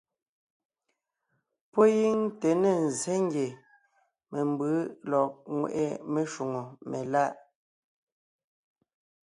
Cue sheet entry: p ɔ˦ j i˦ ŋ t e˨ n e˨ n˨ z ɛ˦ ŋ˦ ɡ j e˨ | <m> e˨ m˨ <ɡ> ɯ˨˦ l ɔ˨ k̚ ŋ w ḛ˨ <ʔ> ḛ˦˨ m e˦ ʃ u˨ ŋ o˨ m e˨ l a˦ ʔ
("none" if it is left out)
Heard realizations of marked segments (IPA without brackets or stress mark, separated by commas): m, b, ʔ